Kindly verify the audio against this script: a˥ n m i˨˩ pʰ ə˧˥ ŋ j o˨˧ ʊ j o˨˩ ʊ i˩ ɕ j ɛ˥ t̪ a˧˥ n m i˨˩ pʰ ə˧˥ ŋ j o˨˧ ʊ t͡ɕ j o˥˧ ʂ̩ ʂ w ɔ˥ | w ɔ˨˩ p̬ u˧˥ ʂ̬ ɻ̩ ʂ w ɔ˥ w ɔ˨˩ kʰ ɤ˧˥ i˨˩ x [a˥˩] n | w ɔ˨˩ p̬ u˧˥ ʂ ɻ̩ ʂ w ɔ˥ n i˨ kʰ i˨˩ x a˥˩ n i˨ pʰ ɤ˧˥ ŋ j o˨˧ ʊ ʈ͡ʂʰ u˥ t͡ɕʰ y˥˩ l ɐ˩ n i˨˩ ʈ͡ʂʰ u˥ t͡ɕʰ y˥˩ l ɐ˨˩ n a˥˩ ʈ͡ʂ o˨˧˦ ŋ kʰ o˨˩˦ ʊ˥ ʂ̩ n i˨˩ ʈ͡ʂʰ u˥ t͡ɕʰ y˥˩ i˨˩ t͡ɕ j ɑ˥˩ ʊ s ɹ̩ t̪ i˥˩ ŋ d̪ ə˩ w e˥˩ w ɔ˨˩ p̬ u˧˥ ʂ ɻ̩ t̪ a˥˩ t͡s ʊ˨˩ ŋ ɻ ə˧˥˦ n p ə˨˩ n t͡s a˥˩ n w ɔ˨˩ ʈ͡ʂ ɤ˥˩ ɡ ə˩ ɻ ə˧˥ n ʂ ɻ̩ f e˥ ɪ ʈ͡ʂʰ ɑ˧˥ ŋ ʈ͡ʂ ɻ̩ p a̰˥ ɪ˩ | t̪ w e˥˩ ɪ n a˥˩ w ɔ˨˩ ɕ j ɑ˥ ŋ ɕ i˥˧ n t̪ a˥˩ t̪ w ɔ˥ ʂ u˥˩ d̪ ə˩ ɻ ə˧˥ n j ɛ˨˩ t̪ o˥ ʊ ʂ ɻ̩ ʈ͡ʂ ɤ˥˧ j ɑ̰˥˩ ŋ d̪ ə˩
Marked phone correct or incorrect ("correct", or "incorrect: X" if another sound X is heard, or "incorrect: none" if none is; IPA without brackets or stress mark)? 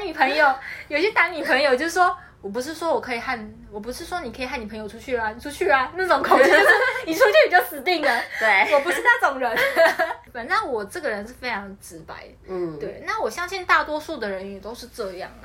correct